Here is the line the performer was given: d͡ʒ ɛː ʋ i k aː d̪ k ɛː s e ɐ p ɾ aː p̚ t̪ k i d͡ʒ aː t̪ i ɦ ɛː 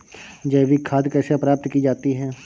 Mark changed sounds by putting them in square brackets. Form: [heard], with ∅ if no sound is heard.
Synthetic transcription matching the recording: d͡ʒ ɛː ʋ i [kʰ] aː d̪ k ɛː s e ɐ p ɾ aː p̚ t̪ k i d͡ʒ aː t̪ i ɦ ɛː